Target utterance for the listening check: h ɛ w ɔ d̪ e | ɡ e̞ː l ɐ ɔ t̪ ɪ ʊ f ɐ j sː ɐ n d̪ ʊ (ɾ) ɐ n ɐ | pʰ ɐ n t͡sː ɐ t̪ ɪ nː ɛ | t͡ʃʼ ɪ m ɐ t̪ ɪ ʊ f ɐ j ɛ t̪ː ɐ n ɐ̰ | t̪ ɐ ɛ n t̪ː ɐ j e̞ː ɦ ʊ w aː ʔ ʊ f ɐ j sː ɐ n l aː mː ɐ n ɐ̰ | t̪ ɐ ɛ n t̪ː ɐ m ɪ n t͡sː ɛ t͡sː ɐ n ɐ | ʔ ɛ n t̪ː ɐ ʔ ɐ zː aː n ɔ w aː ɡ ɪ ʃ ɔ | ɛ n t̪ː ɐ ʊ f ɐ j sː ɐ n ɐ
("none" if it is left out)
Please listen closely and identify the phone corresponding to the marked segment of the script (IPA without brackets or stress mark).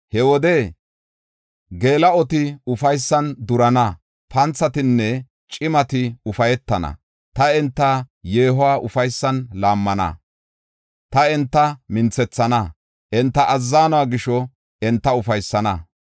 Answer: ɾ